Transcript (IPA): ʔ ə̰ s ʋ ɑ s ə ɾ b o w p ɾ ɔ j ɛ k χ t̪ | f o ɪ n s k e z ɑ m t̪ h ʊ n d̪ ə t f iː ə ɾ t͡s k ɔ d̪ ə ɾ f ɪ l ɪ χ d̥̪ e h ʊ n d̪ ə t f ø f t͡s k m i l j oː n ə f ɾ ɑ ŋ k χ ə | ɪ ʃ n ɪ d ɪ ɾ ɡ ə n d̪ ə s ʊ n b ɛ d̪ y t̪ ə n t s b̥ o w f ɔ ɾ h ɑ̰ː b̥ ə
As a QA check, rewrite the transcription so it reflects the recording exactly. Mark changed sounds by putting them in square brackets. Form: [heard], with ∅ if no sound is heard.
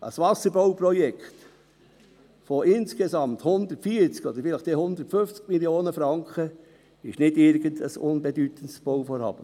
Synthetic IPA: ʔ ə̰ s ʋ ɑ s ə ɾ b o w p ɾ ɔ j ɛ k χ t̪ | f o ɪ n s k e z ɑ m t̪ h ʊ n d̪ ə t f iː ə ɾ t͡s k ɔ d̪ ə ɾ f ɪ l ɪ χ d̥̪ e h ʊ n d̪ ə t f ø f t͡s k m i l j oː n ə f ɾ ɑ ŋ k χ ə | ɪ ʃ n ɪ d ɪ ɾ ɡ ə n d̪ ə s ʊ n b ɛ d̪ y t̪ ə n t s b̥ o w f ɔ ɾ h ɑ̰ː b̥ ə

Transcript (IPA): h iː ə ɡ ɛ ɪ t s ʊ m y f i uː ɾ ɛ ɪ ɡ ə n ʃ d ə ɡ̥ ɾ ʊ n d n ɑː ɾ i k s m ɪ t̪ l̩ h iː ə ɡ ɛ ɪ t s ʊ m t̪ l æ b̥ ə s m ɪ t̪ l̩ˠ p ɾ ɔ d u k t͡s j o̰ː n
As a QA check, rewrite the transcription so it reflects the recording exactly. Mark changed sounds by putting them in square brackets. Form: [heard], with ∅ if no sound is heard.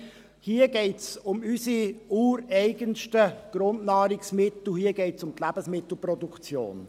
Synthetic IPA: h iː ə ɡ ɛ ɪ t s ʊ m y [s] i uː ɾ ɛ ɪ ɡ ə n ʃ [t] ə ɡ̥ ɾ ʊ n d n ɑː ɾ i k s m ɪ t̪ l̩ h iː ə ɡ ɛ ɪ t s ʊ m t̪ l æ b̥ ə s m ɪ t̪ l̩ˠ p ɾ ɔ d u k t͡s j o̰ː n

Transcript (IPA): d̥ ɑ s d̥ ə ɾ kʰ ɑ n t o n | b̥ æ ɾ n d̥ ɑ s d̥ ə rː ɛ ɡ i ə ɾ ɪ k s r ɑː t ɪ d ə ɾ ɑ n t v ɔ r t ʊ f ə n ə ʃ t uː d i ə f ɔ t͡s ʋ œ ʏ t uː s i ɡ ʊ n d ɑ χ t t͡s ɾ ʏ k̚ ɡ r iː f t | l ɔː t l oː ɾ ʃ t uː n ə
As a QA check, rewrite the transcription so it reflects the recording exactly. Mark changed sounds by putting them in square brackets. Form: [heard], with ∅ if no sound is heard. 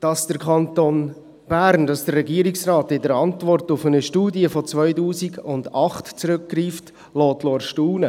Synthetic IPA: d̥ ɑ s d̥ ə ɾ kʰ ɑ n t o n | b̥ æ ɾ n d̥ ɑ s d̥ ə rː ɛ ɡ i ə ɾ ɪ k s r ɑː t ɪ d ə ɾ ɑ n t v ɔ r t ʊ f ə n ə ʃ t uː d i ə f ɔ t͡s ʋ œ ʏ t uː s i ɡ ʊ n d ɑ χ t t͡s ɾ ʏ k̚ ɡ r iː f t | l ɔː t l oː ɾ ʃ t uː n ə

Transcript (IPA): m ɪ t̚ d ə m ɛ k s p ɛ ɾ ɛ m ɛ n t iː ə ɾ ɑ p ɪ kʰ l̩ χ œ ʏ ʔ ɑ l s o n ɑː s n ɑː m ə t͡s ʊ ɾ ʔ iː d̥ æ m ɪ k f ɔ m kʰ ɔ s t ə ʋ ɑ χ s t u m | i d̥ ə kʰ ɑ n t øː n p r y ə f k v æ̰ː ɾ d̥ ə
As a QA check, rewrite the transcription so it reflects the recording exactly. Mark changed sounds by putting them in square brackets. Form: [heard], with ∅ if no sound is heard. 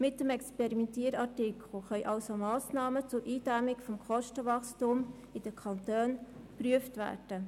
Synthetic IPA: m ɪ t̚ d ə m ɛ k s p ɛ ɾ [i] m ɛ n t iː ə ɾ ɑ [t] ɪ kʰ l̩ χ œ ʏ ʔ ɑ l s o [m] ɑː s n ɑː m ə t͡s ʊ ɾ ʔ iː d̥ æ m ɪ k f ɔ m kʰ ɔ [ʃ] t ə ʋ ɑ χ s t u m | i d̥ ə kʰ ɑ n t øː n p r y ə f [t] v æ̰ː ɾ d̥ ə

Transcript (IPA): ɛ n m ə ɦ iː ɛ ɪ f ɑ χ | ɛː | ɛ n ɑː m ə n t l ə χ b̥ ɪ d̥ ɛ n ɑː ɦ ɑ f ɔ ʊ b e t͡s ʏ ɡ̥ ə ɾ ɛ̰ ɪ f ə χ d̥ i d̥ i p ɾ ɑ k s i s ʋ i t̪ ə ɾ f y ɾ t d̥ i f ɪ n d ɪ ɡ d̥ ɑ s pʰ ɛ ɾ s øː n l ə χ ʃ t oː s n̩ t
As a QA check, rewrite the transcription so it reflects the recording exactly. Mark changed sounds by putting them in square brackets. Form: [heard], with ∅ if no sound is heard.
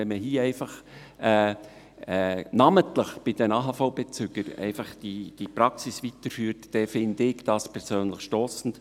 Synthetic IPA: ɛ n m ə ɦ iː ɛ ɪ f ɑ χ | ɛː | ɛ n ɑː m ə n t l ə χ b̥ ɪ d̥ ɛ n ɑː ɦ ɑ f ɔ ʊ b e t͡s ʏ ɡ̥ ə ɾ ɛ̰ ɪ f [ɑ] χ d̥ i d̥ i p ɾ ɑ k s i s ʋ i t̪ ə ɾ f [yː] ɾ t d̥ [ɛ] f ɪ n d ɪ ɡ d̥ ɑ s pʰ ɛ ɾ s øː n l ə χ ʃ t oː s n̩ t

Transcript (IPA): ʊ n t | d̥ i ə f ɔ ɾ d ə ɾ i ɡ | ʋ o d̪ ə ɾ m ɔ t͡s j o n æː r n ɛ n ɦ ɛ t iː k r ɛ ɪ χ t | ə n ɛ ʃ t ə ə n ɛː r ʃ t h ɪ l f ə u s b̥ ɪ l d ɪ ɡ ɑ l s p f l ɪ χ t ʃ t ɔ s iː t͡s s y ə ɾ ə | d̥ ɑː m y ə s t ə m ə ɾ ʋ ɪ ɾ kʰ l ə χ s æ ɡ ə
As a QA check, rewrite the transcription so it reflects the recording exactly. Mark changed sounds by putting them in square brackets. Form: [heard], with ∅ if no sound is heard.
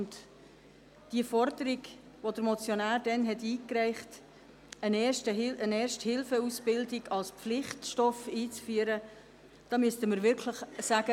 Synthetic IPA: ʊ n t | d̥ i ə f ɔ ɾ d ə ɾ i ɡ | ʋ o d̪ ə ɾ m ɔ t͡s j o n æː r [d] ɛ n ɦ ɛ t iː k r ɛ ɪ χ t | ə n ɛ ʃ t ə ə n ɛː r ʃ t h ɪ l f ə u s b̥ ɪ l d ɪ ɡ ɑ l s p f l ɪ χ t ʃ t ɔ [f] iː t͡s [f] y ə ɾ ə | d̥ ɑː m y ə s t ə m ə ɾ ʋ ɪ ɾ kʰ l ə χ s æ ɡ ə

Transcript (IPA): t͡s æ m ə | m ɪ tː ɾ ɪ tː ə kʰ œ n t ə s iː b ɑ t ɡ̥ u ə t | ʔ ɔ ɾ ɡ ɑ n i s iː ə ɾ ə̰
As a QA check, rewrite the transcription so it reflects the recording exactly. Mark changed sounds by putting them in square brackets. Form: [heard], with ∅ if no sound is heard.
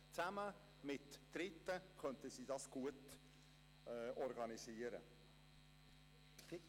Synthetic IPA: t͡s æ m ə | m ɪ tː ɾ ɪ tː ə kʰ œ n t ə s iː [d] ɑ [s] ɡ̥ u ə t | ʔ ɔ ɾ ɡ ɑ n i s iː ə ɾ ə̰

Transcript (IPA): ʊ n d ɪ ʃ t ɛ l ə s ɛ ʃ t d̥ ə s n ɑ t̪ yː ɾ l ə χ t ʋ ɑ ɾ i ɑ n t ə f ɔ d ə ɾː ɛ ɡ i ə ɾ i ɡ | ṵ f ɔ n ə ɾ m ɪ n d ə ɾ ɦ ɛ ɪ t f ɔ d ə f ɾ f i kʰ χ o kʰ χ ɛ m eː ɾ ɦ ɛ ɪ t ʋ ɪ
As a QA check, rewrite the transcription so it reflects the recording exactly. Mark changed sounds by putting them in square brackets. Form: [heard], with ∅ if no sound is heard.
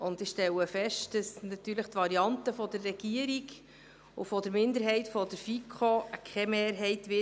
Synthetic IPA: ʊ n d ɪ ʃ t ɛ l ə [f] ɛ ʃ t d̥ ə s n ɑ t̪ yː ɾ l ə χ t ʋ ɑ ɾ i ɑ n t ə f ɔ d ə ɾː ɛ ɡ i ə ɾ i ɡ | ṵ f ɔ [d] ə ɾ m ɪ n d ə ɾ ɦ ɛ ɪ t f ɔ d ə [∅] ɾ f i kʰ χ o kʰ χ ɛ m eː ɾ ɦ ɛ ɪ t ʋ ɪ

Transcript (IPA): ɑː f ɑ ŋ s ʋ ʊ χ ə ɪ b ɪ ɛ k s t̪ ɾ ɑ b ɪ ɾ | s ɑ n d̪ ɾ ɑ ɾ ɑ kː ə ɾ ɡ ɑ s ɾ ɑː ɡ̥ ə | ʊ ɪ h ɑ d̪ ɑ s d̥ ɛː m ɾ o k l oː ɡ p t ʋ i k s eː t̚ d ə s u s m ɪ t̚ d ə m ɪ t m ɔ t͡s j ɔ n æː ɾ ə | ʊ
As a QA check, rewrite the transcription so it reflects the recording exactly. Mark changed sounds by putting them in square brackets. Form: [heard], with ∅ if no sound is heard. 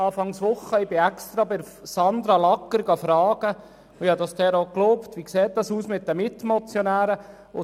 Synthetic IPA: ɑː f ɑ ŋ s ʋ ʊ χ ə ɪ b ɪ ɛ k s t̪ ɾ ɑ b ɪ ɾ | s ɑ n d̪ ɾ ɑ [l] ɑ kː ə ɾ ɡ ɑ [f] ɾ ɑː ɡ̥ ə | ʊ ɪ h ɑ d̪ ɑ s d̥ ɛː [∅] ɾ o k l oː [∅] p t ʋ i k s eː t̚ d [ɑ] s [uː] s m ɪ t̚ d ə m ɪ t m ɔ t͡s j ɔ n æː ɾ ə | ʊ

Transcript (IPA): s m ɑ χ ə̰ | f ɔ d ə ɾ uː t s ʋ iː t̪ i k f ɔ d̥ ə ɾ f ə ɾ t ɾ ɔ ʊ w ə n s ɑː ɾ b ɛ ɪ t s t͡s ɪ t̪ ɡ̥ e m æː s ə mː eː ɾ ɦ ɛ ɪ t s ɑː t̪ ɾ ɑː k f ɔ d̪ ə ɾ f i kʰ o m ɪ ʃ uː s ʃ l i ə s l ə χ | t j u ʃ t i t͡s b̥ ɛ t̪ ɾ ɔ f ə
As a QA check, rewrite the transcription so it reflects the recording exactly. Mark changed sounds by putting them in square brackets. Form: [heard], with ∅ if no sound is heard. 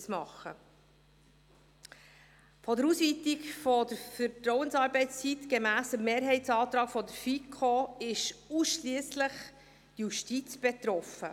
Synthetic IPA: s m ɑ χ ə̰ | f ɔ d ə ɾ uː [∅] s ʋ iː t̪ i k f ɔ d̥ ə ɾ f ə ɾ t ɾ ɔ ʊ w ə n s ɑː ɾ b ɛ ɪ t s t͡s [i] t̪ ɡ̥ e m æː s ə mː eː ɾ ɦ ɛ ɪ t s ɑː t̪ ɾ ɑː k f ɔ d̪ ə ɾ f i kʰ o [∅] ɪ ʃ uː s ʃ l i ə s l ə χ | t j u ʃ t i t͡s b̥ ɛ t̪ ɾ ɔ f ə

